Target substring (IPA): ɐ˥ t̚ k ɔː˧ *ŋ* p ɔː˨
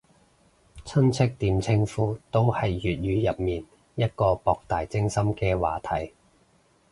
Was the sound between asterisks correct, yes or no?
no